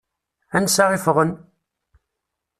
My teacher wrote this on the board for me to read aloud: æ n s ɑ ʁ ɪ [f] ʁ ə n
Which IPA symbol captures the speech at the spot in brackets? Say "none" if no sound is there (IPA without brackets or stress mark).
f